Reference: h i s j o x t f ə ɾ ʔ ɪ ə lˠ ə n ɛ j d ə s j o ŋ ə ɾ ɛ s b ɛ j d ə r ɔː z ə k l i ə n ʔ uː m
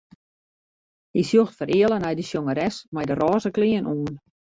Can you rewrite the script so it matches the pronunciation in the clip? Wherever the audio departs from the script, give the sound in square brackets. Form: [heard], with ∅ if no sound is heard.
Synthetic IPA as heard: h i s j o x t f ə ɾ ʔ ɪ ə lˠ ə n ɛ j d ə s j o ŋ ə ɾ ɛ s [m] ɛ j d ə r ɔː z ə k l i ə n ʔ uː [n]

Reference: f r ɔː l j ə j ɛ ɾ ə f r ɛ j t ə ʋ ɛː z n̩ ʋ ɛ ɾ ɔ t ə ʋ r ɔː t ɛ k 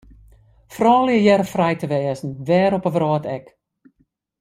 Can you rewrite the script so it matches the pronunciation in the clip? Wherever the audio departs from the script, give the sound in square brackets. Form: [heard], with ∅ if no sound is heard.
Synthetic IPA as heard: f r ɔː l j ə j ɛ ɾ ə f r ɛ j t ə ʋ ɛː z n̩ ʋ [ɛː] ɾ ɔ [p] ə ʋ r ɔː t ɛ k

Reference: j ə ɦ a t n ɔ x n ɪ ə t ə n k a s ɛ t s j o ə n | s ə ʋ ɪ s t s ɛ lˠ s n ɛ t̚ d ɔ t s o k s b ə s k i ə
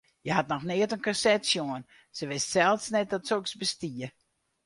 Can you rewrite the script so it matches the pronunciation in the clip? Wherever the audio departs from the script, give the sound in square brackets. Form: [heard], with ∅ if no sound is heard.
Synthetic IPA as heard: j ə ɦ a t n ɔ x n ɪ ə t ə n k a s ɛ t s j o ə n | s ə ʋ ɪ s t s ɛ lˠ s n ɛ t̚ d ɔ t s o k s b ə s [t] i ə

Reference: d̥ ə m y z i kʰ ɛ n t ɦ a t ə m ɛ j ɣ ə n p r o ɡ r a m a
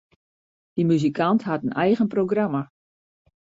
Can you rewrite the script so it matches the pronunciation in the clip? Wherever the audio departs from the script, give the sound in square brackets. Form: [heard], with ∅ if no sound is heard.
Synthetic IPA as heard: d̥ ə m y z i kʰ [a] n t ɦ a t ə [n] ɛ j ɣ ə n p r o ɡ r a m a

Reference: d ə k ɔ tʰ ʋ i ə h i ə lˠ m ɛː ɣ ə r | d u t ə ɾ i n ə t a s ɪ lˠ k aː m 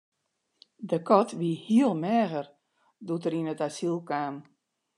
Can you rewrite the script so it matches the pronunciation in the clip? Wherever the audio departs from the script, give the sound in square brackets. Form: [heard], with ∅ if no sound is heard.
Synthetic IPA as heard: d ə k ɔ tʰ ʋ i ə h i ə lˠ m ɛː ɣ ə r | d u t ə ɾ i n ə t a s [i] lˠ k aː m

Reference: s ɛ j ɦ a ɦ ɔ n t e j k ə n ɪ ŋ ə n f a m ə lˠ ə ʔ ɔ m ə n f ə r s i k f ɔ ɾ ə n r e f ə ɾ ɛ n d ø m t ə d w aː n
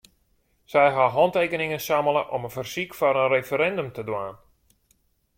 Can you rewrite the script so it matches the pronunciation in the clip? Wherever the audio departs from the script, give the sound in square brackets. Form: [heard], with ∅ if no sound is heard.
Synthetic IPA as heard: s ɛ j ɦ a ɦ ɔ n t e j k ə n ɪ ŋ ə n [s] a m ə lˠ ə ʔ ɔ m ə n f ə r s i k f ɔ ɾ ə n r e f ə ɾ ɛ n d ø m t ə d w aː n

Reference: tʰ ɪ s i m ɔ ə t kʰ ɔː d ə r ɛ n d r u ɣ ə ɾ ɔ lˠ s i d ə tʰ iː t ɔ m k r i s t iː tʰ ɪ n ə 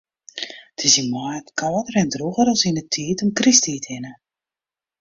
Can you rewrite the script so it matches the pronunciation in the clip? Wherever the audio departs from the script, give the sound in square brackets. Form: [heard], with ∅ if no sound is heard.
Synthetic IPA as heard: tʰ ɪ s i m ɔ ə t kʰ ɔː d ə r ɛ n d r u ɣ ə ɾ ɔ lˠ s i [n] ə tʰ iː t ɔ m k r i s t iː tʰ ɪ n ə

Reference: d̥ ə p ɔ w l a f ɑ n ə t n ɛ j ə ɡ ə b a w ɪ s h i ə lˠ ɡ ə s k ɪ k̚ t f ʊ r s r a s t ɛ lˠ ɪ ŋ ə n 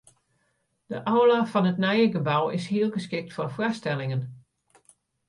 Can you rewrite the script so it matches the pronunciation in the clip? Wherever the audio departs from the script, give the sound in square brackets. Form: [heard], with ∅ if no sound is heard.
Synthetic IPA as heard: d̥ ə [ʔ] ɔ w l a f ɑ n ə t n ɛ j ə ɡ ə b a w ɪ s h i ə lˠ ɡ ə s k ɪ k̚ t f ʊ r [f] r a s t ɛ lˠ ɪ ŋ ə n

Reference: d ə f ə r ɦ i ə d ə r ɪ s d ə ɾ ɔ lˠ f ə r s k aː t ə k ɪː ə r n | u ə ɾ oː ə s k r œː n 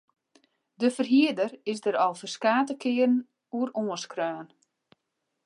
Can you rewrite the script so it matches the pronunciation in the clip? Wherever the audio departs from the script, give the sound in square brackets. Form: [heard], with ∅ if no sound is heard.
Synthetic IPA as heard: d ə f ə r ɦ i ə d ə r ɪ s d ə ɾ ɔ lˠ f ə r s k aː t ə k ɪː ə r n | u ə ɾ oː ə s k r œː n

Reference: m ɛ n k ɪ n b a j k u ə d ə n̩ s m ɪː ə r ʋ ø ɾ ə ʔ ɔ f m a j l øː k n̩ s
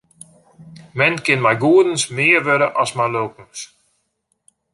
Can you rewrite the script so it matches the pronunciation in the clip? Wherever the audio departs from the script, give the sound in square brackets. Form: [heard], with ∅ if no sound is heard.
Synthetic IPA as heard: m ɛ n k ɪ n [m] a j [ɡ] u ə d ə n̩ s m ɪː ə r ʋ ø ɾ ə ʔ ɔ [s] m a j l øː k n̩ s

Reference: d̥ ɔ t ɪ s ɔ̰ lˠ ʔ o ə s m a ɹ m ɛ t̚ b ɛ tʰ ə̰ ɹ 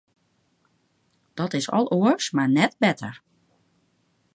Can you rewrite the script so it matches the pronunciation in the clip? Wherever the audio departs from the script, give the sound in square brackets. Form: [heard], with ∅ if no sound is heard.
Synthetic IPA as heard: d̥ ɔ t ɪ s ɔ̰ lˠ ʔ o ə s m a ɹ [n] ɛ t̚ b ɛ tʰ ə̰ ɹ

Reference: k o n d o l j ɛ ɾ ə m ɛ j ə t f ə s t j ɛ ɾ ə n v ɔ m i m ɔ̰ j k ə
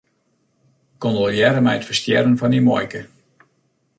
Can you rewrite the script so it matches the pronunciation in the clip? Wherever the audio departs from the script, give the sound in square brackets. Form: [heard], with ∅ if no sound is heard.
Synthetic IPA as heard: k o n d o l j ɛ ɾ ə m ɛ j ə t f ə s t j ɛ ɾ ə n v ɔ [n] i m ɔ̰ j k ə

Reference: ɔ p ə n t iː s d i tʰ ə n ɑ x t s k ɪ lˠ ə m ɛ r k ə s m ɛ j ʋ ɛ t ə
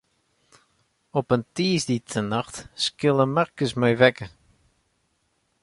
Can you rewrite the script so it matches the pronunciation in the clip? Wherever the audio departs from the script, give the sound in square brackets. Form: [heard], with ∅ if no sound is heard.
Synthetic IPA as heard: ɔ p ə n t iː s d i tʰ ə n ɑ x t s k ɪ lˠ ə m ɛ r k ə s m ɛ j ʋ ɛ [k] ə

